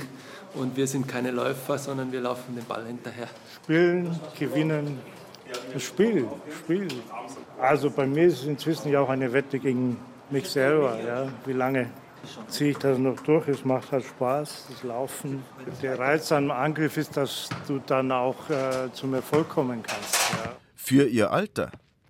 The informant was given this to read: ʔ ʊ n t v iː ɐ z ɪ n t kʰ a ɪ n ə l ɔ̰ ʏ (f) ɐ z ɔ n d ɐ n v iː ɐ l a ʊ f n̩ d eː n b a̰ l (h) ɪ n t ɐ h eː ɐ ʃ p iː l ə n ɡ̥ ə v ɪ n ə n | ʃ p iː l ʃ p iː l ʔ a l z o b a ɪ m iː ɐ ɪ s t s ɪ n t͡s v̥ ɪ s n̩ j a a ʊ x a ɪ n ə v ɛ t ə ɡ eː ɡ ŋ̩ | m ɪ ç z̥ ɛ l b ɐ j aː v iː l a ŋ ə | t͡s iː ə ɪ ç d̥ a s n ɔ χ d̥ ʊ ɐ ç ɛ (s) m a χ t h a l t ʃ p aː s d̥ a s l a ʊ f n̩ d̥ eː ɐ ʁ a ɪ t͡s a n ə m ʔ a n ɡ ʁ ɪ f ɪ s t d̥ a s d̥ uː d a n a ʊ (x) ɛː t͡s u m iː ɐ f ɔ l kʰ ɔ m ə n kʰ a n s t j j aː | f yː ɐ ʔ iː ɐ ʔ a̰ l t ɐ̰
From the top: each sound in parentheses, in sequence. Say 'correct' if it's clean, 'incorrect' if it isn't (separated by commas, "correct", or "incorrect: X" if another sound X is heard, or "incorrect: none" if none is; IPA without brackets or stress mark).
correct, correct, correct, correct